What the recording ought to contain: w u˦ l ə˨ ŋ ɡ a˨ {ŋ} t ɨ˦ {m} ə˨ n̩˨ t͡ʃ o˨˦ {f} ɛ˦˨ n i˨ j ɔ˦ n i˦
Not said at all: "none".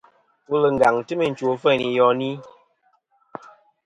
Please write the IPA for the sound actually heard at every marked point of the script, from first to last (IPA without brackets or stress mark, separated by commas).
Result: ŋ, m, f